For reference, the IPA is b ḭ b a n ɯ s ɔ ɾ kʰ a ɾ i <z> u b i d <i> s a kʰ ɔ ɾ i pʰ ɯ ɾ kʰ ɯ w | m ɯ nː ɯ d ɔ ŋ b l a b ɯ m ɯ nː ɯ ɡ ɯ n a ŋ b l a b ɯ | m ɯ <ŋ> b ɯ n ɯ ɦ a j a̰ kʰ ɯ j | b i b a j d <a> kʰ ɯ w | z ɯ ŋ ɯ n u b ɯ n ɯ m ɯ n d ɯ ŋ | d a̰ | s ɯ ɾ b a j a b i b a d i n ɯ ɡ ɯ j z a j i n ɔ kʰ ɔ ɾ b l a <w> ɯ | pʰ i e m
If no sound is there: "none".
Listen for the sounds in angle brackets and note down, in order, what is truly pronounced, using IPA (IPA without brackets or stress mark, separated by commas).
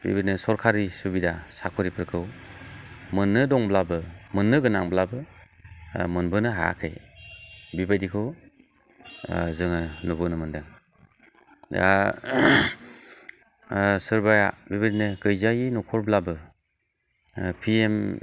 s, a, n, i, b